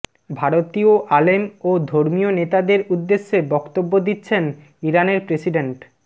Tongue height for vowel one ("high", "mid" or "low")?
low